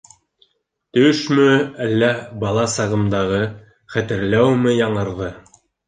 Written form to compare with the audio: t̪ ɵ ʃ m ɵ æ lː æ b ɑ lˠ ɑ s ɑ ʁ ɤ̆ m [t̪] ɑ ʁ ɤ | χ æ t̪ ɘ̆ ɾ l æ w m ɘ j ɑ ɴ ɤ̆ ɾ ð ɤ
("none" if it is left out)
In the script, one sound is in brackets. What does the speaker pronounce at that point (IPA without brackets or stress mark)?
d̪